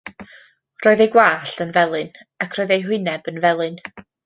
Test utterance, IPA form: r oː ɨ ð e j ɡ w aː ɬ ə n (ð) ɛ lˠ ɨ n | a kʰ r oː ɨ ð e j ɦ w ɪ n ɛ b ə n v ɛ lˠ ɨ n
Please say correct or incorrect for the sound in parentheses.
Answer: incorrect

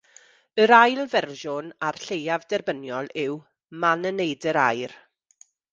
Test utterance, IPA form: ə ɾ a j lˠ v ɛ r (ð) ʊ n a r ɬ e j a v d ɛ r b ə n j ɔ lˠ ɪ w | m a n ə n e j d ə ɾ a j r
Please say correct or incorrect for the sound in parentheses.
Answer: incorrect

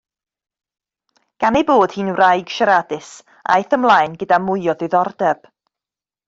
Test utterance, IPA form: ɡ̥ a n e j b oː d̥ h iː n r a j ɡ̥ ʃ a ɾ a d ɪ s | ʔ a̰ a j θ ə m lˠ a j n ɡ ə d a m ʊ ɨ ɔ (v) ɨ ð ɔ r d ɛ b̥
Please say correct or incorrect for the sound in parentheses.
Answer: incorrect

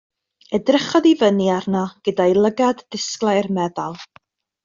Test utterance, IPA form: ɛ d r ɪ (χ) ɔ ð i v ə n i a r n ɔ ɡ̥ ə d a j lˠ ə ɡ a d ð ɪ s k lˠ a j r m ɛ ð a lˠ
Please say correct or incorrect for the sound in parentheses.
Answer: correct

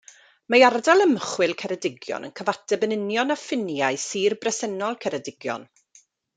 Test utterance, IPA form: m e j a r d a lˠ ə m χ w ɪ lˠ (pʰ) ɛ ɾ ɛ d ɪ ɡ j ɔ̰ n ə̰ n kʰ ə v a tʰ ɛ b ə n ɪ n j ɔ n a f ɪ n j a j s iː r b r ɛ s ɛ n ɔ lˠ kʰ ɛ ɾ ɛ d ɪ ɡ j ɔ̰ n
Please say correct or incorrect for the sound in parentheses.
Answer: incorrect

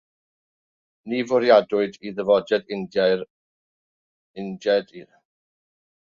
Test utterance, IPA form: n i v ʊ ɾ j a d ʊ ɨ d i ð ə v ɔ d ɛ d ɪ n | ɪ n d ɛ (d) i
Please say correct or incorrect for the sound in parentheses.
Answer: correct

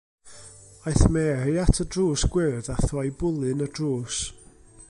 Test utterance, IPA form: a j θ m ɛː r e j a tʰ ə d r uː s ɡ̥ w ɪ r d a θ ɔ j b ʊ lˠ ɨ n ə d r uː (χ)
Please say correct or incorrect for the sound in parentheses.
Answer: incorrect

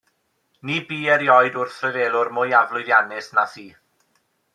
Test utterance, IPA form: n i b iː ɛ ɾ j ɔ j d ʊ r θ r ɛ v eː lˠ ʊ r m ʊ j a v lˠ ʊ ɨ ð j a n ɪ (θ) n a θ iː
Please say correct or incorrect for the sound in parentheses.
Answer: incorrect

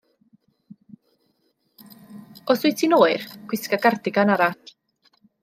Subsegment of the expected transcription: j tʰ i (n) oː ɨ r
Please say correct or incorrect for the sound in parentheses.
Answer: correct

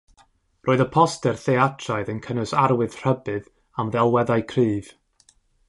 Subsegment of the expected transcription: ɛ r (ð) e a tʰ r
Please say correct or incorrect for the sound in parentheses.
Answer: incorrect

